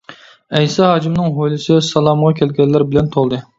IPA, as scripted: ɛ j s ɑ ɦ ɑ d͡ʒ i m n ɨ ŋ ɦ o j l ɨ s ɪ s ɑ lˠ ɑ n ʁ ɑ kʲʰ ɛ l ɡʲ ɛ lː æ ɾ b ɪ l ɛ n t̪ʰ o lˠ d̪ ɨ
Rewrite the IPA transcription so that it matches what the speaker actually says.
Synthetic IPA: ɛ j s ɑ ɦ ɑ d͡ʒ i m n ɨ ŋ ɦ o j l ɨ s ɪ s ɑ lˠ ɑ m ʁ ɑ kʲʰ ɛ l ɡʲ ɛ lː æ ɾ b ɪ l ɛ n t̪ʰ o lˠ d̪ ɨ